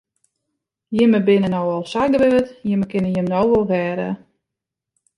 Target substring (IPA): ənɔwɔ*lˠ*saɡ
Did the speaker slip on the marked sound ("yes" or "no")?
no